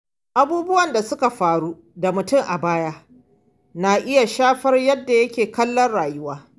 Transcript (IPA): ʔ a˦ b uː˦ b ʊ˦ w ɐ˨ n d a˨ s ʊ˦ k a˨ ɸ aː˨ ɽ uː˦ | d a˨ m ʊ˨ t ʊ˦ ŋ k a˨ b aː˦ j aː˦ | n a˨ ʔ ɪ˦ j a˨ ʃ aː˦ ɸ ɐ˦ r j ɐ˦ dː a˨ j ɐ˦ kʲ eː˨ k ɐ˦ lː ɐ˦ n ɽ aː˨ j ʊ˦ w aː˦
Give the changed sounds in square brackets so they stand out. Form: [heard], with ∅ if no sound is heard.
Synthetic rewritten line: ʔ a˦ b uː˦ b ʊ˦ w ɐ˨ n d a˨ s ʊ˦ k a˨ ɸ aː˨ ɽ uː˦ | d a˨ m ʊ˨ t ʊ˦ ŋ [ʔ] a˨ b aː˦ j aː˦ | n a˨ ʔ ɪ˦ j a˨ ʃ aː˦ ɸ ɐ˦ r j ɐ˦ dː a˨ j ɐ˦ kʲ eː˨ k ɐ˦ lː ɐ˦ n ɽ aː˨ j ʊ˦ w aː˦

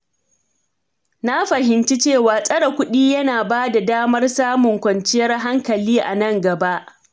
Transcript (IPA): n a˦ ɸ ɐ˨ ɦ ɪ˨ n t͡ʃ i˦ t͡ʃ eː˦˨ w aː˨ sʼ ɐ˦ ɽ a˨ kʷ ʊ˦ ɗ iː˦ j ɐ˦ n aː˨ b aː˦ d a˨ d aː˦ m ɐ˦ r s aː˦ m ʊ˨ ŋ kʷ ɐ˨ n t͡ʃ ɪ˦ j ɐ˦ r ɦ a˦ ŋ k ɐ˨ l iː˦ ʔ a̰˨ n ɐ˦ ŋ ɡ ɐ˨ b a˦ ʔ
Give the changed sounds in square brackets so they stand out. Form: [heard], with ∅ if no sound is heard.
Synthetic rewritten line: n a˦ ɸ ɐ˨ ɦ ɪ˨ n t͡ʃ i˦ t͡ʃ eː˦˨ w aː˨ sʼ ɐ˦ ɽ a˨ kʷ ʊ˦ ɗ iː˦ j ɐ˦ n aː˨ b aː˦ d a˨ d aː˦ m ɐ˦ r s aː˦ m ʊ˨ ŋ kʷ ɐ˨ n t͡ʃ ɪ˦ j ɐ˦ r ɦ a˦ ŋ k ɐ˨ l iː˦ ʔ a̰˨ n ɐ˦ ŋ ɡ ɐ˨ b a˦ ʔ

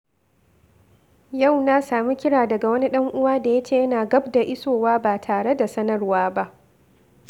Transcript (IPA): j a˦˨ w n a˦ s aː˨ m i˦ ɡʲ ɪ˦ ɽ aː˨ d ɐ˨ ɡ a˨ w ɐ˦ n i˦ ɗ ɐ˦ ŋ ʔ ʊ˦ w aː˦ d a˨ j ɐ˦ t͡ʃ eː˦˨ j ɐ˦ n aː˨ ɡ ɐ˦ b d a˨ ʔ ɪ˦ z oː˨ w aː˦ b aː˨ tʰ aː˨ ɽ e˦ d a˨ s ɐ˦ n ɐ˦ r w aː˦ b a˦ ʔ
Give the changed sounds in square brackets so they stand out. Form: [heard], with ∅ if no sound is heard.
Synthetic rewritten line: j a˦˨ w n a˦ s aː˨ m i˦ [kʲ] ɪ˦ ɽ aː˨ d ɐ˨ ɡ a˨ w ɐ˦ n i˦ ɗ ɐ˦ ŋ ʔ ʊ˦ w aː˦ d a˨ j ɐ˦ t͡ʃ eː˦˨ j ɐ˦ n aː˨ ɡ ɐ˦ b d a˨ ʔ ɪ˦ [s] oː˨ w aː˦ b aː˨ tʰ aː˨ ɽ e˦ d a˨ s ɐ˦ n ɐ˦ r w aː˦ b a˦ ʔ

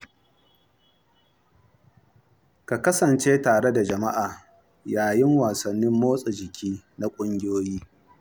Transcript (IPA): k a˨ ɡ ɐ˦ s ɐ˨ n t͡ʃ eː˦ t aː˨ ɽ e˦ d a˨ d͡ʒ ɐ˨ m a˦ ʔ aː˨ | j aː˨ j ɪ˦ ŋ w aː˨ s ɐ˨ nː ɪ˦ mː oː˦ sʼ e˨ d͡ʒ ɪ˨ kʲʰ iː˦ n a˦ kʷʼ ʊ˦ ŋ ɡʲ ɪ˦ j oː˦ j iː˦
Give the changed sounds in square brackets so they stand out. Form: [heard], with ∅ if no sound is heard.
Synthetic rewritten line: k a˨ [k] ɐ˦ s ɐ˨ n t͡ʃ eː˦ t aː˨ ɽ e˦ d a˨ d͡ʒ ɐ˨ m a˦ ʔ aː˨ | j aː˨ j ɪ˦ ŋ w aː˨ s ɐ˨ nː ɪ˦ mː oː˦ sʼ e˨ d͡ʒ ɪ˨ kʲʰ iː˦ n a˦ kʷʼ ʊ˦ ŋ ɡʲ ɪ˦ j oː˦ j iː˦

